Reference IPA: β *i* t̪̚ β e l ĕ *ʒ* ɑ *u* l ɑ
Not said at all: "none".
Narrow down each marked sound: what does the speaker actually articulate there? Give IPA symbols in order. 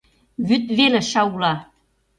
y, ʃ, u

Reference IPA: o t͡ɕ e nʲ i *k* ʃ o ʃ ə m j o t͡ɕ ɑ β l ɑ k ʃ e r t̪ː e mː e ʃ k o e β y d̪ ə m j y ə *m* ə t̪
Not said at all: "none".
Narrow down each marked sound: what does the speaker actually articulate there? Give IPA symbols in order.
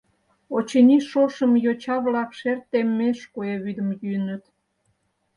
none, n

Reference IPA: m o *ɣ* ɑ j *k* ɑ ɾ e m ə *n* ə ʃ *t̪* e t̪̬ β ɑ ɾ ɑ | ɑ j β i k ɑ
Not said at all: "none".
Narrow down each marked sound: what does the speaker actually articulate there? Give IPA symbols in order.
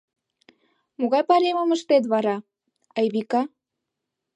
ɣ, p, m, t̪

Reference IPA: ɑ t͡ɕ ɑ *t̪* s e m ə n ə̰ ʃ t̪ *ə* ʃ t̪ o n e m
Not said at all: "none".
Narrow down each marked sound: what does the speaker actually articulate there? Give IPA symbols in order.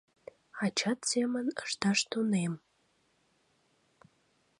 t̪, ɑ

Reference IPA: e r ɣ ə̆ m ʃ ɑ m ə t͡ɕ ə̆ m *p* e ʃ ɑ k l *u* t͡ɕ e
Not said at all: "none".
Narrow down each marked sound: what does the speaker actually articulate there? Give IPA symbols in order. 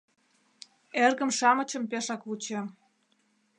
p, u

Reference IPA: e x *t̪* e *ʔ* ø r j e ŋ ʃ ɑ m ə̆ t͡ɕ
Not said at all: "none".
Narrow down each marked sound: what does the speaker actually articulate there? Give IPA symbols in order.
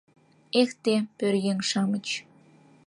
t̪, p

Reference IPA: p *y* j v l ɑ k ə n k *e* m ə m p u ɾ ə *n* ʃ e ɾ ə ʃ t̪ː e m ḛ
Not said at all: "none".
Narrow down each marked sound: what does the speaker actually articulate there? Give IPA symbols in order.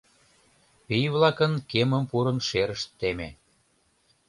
i, e, n

